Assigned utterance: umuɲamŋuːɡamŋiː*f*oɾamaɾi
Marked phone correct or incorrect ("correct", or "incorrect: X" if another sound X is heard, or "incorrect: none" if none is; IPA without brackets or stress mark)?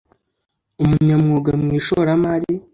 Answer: incorrect: ʃ